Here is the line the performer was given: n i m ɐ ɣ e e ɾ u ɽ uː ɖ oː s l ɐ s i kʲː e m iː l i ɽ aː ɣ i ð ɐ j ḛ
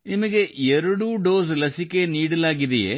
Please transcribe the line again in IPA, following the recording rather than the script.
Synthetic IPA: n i m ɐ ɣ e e ɾ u ɽ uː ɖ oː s l ɐ s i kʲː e n iː ɽ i l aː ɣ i ð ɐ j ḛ